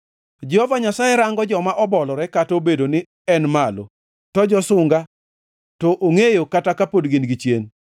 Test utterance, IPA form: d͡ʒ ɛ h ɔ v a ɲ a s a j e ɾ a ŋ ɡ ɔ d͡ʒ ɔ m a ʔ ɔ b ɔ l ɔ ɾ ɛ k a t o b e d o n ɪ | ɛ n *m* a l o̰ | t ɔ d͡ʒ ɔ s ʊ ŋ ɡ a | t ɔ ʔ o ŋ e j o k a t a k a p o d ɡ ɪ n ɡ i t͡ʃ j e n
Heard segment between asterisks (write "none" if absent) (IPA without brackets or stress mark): m